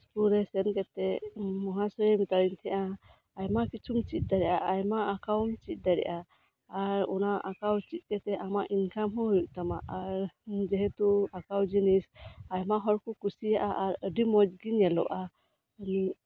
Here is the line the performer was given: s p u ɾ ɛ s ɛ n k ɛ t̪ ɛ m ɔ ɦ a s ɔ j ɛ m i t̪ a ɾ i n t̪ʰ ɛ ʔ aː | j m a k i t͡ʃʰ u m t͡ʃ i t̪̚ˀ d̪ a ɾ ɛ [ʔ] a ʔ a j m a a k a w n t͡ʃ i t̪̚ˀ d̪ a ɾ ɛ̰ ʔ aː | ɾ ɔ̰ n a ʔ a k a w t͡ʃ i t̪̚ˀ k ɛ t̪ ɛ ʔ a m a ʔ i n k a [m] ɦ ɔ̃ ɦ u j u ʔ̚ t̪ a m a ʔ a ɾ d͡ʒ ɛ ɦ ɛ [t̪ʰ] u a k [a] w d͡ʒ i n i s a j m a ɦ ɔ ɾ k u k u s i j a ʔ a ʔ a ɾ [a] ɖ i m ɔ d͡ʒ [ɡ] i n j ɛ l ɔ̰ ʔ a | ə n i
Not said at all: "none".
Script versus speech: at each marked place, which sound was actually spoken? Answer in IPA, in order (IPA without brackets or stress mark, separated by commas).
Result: ʔ, m, t̪, a, ə, ɡ